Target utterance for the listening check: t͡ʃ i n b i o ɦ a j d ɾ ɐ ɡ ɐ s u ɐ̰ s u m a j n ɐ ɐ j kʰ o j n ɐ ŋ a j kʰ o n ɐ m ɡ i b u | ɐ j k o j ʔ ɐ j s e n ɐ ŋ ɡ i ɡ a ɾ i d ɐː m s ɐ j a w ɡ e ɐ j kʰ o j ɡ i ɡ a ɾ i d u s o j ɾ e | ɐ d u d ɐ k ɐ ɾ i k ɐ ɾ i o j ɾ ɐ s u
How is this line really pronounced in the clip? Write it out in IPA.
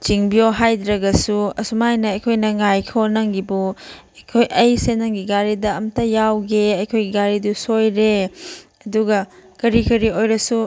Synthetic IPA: t͡ʃ i ŋ b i o ɦ a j d ɾ ɐ ɡ ɐ s u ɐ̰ s u m a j n ɐ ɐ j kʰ o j n ɐ ŋ a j kʰ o n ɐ ŋ ɡ i b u | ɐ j kʰ o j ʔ ɐ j s e n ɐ ŋ ɡ i ɡ a ɾ i d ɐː m t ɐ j a w ɡ e ɐ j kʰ o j ɡ i ɡ a ɾ i d u s o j ɾ e | ɐ d u ɡ ɐ k ɐ ɾ i k ɐ ɾ i o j ɾ ɐ s u